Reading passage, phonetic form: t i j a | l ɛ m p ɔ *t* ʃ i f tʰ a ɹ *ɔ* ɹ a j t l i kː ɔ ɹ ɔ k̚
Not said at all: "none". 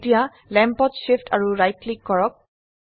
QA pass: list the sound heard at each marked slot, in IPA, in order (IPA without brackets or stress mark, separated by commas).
t, u